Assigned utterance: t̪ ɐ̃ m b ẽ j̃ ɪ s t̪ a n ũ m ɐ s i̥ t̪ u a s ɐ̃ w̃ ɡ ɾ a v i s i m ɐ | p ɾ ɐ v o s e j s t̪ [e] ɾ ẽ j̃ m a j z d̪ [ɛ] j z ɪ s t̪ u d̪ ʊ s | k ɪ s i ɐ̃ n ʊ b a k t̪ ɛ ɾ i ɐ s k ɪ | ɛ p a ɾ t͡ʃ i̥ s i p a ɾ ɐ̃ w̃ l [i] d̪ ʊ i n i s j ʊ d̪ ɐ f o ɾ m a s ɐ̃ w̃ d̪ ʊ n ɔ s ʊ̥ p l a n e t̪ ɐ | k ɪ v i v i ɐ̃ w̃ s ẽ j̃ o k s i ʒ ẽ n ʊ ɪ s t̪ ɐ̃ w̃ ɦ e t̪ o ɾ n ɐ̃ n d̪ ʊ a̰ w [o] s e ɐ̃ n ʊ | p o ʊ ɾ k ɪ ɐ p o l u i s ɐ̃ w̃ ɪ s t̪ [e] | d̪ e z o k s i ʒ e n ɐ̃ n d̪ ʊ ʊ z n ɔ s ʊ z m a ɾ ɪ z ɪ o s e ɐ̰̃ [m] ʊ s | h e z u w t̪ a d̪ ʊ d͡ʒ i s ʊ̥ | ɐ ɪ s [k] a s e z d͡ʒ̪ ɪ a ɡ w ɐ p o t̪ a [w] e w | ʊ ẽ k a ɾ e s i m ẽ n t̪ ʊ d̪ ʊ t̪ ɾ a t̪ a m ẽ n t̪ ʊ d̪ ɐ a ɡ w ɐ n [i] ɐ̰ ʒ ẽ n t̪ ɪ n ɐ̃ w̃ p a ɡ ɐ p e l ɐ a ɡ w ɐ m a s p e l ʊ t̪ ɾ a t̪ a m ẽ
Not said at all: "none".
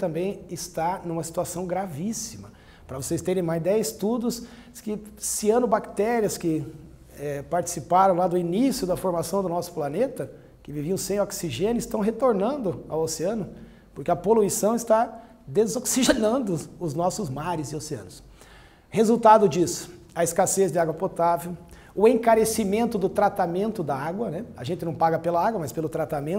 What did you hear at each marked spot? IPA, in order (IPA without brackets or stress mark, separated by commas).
e, ɛ, a, o, a, n, k, v, ɛ